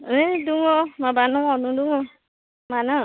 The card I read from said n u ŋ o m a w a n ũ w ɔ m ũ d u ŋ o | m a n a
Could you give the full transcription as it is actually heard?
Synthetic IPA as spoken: d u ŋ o m a b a n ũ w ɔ n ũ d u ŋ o | m a n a